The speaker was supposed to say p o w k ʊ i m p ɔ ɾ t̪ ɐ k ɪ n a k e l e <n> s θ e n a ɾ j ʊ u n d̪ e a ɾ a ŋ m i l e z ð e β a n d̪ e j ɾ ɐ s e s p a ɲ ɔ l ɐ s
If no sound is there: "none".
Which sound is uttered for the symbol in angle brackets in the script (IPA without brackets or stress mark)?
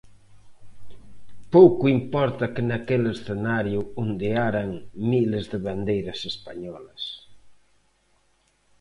none